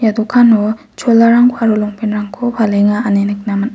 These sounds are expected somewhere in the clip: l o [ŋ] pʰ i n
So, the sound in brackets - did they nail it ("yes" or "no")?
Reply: yes